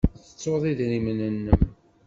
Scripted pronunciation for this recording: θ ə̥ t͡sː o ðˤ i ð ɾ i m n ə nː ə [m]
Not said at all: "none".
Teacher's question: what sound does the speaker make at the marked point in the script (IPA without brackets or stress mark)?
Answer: m